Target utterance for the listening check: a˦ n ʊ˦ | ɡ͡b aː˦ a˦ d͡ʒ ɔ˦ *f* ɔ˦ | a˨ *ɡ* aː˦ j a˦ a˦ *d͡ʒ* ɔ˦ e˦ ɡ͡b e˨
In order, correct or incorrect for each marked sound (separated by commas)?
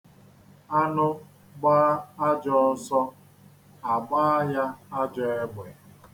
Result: incorrect, incorrect, correct